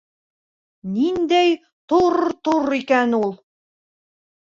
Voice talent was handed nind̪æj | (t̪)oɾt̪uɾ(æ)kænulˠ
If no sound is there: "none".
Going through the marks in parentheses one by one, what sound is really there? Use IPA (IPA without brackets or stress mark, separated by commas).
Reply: t̪, i